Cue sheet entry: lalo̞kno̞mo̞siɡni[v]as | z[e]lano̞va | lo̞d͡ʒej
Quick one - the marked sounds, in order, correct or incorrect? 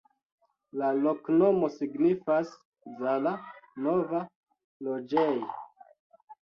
incorrect, incorrect

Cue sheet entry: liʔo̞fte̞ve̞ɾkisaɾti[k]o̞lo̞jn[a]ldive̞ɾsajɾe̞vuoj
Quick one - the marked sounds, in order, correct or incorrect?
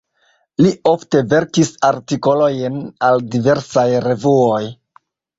correct, correct

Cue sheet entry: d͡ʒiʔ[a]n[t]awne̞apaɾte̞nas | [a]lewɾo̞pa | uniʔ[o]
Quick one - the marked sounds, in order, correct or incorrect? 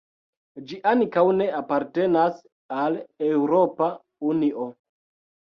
correct, incorrect, correct, correct

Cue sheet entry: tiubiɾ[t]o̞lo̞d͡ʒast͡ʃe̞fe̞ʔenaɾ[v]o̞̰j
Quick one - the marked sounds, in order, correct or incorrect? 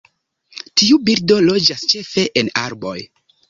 incorrect, incorrect

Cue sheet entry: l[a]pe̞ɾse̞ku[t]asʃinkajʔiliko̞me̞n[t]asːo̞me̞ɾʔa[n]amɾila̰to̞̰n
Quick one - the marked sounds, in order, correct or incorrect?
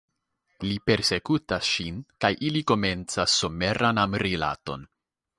incorrect, correct, incorrect, correct

